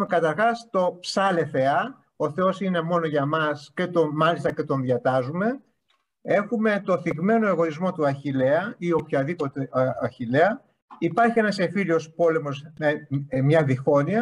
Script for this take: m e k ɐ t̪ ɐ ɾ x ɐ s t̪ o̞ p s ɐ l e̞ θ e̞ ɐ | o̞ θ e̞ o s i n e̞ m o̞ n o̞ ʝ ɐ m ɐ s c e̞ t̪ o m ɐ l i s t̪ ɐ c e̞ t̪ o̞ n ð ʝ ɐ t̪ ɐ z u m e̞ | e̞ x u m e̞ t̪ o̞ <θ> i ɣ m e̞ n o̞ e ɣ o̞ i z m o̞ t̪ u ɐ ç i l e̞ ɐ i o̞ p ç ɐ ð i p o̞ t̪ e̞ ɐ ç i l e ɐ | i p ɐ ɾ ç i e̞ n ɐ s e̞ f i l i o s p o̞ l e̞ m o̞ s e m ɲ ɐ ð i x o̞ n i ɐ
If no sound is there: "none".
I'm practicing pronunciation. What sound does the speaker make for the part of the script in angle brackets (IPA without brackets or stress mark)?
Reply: θ